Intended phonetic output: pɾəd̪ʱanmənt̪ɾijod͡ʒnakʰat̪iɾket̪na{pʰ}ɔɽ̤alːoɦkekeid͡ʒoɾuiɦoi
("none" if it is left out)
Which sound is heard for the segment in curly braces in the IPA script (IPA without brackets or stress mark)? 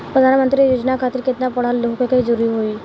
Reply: p